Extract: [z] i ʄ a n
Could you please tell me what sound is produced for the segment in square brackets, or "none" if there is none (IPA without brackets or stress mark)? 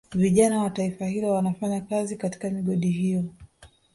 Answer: v